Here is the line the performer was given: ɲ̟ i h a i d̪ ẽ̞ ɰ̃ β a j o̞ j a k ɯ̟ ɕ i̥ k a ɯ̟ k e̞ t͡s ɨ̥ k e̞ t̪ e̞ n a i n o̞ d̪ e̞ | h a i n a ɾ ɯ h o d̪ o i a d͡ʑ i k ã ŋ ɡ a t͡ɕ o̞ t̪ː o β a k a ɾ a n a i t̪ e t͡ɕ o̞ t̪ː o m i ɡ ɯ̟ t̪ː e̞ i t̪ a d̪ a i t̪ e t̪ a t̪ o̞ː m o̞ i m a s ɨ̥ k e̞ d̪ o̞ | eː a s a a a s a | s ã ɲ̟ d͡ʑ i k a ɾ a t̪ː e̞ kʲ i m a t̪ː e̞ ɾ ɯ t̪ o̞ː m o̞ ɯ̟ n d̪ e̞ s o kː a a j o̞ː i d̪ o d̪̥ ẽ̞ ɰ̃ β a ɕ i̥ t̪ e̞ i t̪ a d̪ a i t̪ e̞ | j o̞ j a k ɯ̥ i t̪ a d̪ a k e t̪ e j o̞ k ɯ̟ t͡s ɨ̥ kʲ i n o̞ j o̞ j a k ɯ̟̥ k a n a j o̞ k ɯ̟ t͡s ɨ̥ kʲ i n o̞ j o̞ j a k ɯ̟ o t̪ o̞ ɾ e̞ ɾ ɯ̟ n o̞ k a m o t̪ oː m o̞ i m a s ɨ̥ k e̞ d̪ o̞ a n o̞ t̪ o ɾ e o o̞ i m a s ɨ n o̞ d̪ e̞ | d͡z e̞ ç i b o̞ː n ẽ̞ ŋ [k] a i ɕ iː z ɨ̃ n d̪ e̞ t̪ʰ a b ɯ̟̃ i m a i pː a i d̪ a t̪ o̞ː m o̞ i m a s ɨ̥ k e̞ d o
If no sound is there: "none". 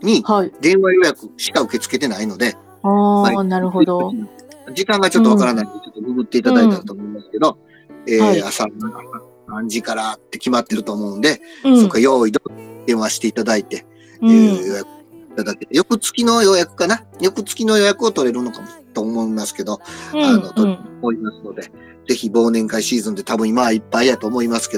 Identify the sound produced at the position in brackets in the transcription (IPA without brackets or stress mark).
k